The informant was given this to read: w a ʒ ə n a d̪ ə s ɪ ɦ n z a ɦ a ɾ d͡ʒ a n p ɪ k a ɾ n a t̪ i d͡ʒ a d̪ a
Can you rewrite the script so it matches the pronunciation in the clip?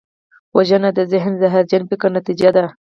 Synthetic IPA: w a ʒ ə n a d̪ ə z ɪ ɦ n z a ɦ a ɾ d͡ʒ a n p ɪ k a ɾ n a t̪ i d͡ʒ a d̪ a